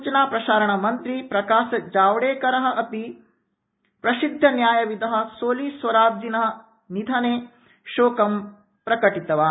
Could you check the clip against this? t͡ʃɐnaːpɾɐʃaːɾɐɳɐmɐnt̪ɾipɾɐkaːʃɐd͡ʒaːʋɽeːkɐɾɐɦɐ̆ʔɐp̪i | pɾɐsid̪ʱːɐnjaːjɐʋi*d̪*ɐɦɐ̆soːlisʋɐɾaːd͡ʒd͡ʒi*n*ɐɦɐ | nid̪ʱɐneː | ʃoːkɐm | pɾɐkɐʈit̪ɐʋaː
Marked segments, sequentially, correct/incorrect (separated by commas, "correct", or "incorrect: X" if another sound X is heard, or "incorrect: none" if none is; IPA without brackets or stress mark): correct, correct